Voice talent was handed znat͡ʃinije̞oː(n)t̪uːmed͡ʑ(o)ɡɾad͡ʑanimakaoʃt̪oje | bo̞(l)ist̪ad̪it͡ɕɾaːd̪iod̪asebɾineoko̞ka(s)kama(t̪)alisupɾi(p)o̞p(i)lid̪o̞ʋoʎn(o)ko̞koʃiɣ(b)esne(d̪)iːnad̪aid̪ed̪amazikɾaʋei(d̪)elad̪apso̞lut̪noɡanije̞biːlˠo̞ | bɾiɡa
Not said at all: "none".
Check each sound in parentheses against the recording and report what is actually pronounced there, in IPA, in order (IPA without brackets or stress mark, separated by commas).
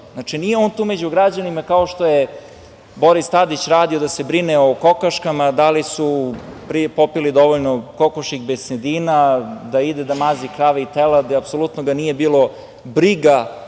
n, u, ɾ, ʃ, d̪, p, i, o, b, d̪, t̪